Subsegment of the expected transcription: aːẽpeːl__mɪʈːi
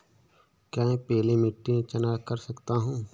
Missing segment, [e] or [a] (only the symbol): e